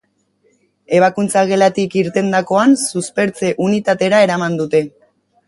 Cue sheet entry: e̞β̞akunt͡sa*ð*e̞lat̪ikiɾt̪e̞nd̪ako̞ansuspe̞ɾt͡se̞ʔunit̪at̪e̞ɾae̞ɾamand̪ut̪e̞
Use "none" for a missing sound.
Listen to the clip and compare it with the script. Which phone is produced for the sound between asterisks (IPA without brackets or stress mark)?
ɣ